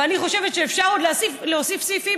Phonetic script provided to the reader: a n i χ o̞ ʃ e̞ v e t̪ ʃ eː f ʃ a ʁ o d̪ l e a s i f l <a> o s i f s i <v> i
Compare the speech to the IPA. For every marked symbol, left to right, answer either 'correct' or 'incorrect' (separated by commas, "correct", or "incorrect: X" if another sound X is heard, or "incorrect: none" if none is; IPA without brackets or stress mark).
incorrect: e, incorrect: f